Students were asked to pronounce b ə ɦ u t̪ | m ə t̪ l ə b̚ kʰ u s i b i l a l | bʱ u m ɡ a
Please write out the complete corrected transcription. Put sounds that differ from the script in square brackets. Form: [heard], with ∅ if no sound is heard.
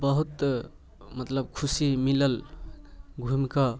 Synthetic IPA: b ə ɦ u t̪ | m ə t̪ l ə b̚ kʰ u s i [m] i l [ə] l | [ɡʱ] u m [k] a